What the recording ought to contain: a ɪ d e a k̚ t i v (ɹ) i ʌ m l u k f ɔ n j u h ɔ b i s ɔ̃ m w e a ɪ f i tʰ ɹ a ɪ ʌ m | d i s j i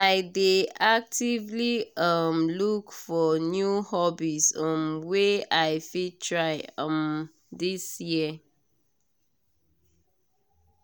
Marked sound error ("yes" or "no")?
yes